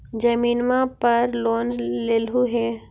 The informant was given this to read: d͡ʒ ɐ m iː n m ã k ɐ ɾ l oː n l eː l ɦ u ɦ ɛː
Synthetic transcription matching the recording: d͡ʒ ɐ m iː n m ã p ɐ ɾ l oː n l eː l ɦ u ɦ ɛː